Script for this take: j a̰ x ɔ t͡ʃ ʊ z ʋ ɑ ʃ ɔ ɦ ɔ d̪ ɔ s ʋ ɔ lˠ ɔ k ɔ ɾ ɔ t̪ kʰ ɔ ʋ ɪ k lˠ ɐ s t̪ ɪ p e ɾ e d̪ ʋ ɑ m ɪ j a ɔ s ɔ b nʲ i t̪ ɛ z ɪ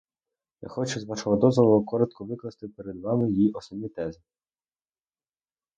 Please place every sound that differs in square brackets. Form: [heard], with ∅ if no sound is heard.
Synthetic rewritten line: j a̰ x ɔ t͡ʃ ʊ z ʋ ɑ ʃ ɔ ɦ ɔ d̪ ɔ [z] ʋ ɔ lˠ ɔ k ɔ ɾ ɔ t̪ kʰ ɔ ʋ ɪ k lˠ ɐ s t̪ ɪ p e ɾ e d̪ ʋ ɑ m ɪ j [i] ɔ s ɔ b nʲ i t̪ ɛ z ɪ